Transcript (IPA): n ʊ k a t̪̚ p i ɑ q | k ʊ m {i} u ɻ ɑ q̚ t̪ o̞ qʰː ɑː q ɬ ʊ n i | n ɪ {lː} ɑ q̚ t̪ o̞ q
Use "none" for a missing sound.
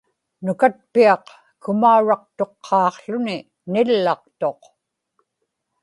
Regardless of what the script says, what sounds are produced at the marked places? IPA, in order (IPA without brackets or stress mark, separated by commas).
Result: a, lː